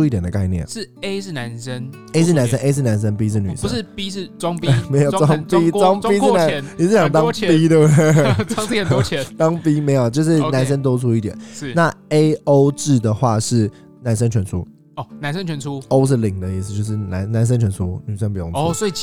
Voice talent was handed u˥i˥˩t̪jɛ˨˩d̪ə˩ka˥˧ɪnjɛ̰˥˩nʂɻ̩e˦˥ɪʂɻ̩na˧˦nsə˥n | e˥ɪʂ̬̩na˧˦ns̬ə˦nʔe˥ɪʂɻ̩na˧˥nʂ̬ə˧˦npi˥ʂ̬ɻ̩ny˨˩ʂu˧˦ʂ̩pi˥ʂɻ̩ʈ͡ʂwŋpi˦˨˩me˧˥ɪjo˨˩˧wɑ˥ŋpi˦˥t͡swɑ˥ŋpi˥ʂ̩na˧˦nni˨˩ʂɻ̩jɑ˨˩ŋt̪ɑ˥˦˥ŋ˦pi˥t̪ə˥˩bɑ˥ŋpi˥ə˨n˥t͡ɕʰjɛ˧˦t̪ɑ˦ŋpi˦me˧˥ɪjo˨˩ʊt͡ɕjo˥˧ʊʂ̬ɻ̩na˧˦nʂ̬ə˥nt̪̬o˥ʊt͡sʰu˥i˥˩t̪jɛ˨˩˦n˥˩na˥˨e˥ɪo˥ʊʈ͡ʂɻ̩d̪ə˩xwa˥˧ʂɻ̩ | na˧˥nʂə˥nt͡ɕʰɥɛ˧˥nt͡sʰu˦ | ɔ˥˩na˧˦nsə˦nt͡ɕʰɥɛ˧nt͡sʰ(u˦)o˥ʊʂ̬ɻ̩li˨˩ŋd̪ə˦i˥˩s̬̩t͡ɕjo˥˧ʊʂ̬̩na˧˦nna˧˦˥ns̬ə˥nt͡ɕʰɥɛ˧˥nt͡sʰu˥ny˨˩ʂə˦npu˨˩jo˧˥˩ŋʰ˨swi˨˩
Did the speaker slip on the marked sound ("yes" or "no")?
no